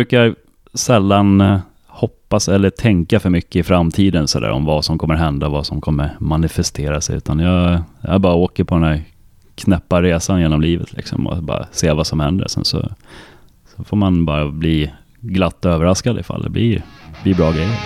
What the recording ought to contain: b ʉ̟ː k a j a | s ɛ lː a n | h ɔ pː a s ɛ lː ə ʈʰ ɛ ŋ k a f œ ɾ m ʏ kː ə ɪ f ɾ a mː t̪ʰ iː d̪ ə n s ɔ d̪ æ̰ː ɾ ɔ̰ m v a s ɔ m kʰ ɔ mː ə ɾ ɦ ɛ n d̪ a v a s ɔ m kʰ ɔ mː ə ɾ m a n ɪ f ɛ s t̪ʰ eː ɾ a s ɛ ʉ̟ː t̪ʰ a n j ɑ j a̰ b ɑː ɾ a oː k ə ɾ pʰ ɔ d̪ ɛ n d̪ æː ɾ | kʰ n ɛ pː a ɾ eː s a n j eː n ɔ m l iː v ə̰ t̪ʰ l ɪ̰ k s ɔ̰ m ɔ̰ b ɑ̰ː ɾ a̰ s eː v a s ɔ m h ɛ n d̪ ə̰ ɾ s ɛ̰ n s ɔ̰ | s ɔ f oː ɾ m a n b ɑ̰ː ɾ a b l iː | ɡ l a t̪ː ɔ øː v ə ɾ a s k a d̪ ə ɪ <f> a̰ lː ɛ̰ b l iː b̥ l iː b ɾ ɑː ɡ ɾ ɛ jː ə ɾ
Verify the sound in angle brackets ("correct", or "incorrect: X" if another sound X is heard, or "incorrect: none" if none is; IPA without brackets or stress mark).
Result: correct